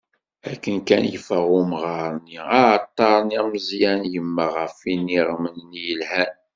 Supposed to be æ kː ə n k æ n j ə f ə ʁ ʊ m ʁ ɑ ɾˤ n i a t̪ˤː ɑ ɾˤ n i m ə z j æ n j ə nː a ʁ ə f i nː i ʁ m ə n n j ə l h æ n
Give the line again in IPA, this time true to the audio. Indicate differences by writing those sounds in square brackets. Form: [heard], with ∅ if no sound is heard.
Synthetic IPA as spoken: æ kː ə n k æ n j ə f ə ʁ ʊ m ʁ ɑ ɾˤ n i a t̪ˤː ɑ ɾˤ n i m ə z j æ n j ə [mː] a ʁ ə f i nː i ʁ m ə n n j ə l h æ n